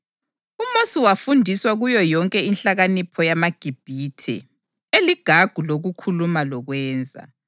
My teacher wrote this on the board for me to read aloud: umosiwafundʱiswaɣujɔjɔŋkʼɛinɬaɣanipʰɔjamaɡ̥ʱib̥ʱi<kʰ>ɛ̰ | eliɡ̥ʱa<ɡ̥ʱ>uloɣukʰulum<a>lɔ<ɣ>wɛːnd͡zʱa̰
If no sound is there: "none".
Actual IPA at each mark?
tʰ, ɡ̥ʱ, a, ɣ

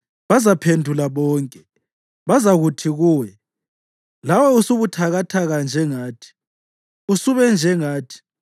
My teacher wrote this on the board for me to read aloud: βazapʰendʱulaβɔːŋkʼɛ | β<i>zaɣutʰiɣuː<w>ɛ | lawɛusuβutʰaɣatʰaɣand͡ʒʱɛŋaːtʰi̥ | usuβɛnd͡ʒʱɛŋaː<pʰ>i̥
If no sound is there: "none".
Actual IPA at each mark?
a, w, tʰ

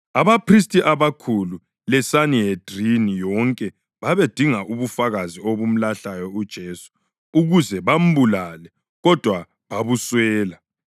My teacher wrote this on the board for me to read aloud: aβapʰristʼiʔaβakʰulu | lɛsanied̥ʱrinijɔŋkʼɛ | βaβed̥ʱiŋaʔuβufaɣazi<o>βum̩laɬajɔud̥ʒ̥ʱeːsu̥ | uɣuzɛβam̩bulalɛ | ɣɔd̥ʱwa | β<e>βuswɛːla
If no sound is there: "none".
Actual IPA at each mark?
o, a

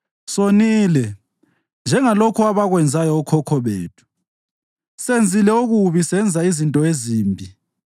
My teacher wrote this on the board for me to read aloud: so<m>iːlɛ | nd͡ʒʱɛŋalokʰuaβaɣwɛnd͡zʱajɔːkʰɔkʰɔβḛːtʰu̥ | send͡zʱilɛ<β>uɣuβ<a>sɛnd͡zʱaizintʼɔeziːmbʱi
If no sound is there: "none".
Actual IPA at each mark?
n, none, i

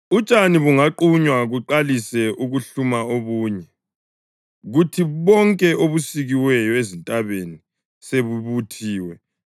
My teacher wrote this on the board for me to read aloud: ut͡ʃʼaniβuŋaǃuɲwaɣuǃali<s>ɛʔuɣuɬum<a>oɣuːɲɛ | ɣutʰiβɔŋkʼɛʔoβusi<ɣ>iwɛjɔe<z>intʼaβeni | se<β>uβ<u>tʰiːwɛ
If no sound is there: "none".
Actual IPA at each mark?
s, a, ɣ, z, β, u

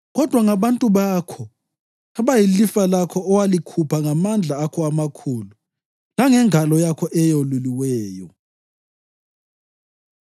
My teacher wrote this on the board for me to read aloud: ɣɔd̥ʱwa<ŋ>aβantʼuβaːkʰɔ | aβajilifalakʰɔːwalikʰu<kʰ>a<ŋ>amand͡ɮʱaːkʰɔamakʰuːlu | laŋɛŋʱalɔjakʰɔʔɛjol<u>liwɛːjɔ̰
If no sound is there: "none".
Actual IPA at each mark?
ŋ, pʰ, ŋ, u

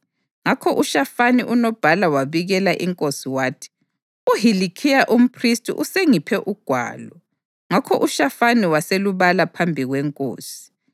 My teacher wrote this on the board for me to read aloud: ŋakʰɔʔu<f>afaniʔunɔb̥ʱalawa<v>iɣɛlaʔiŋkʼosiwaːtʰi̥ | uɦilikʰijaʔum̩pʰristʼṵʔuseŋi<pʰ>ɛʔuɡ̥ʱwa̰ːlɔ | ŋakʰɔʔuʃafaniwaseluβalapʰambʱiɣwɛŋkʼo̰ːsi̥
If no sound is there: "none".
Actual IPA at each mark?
ʃ, β, pʰ

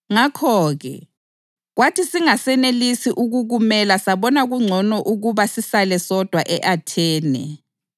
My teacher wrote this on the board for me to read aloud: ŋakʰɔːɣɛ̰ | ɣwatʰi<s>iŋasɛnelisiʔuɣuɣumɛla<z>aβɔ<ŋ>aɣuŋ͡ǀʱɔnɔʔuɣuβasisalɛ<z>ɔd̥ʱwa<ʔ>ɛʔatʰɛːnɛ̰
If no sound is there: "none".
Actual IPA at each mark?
s, s, n, s, ʔ

